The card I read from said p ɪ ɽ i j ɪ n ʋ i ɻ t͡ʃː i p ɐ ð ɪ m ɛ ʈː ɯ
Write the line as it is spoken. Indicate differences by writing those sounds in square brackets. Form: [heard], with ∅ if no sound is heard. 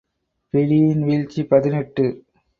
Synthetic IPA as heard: p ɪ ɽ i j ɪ n ʋ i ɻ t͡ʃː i p ɐ ð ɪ [n] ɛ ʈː ɯ